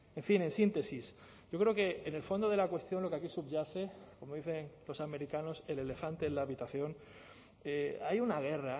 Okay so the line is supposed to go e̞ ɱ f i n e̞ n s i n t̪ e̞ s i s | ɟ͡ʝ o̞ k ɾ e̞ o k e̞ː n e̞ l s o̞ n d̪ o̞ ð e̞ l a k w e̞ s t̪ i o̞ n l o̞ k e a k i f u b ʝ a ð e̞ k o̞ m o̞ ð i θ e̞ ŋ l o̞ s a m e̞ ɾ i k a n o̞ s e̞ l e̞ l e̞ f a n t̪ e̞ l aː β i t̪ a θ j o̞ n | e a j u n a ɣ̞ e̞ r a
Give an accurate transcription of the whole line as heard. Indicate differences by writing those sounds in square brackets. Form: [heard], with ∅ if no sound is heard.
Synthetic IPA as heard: e̞ ɱ f i n e̞ n s i n t̪ e̞ s i s | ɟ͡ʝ o̞ k ɾ e̞ o k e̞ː n e̞ l [f] o̞ n d̪ o̞ ð e̞ l a k w e̞ s t̪ [j] o̞ n l o̞ k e a k i [s] u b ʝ a [θ] e̞ k o̞ m o̞ ð i θ e̞ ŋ l o̞ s a m e̞ ɾ i k a n o̞ s e̞ l e̞ l e̞ f a n t̪ e̞ l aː β i t̪ a θ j o̞ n | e a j u n a ɣ̞ e̞ r a